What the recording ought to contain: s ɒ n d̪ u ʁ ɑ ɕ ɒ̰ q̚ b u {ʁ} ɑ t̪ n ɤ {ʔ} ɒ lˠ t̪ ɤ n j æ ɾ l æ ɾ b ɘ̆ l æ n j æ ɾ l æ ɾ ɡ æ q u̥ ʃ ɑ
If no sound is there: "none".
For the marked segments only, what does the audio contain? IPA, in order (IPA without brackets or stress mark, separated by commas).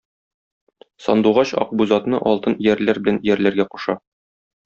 z, ʔ